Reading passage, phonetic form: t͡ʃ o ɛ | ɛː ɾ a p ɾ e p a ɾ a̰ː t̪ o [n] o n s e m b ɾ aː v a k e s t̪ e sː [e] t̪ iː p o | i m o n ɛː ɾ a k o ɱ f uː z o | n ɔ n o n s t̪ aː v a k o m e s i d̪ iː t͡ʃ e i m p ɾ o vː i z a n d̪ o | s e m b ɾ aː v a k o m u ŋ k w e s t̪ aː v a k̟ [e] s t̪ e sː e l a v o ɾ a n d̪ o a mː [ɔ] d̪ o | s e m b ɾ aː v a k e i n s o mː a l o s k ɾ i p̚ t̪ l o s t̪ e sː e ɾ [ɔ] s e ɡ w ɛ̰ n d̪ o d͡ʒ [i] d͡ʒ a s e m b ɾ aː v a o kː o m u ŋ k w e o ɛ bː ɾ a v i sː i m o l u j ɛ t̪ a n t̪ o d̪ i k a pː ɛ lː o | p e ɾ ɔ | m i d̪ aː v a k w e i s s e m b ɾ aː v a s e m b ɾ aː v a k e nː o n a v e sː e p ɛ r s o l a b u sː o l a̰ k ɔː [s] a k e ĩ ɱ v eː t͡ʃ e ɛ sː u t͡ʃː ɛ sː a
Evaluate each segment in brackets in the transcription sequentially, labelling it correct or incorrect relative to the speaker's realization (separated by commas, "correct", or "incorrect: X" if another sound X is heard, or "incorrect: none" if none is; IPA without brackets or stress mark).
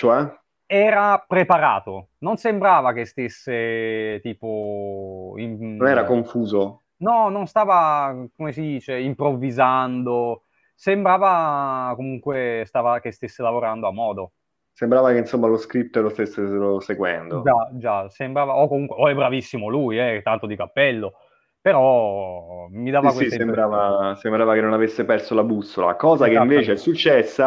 correct, correct, correct, incorrect: ɔː, incorrect: o, incorrect: a, incorrect: z